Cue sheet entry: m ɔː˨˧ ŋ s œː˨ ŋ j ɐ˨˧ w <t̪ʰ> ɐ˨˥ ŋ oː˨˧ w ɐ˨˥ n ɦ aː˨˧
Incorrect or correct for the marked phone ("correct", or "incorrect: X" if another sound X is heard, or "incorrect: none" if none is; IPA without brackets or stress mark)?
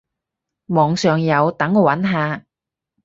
incorrect: t̪